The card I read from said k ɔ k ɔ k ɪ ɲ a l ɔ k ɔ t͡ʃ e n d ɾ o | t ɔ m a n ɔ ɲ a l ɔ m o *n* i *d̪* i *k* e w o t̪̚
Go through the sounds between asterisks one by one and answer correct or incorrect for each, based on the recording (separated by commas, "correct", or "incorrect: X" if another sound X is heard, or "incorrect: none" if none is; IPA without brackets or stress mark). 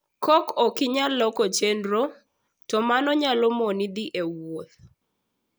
correct, correct, incorrect: ʔ